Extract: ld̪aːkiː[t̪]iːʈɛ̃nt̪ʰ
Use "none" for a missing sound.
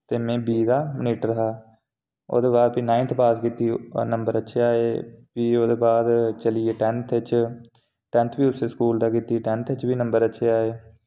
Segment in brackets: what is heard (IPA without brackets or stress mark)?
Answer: t̪